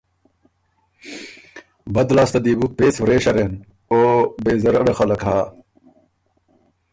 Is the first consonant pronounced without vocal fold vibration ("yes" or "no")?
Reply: no